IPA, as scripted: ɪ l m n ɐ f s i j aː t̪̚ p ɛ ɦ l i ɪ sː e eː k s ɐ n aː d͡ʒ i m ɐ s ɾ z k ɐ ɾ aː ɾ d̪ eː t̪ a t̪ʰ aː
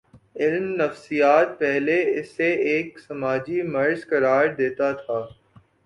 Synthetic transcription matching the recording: ɪ l m n ɐ f s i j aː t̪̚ p ɛ ɦ l e ɪ sː e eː k s ɐ m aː d͡ʒ i m ɐ ɾ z k ɐ ɾ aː ɾ d̪ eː t̪ a t̪ʰ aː